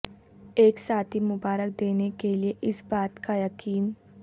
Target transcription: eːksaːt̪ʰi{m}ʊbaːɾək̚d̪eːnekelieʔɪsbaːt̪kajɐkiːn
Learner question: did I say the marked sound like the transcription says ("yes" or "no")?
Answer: yes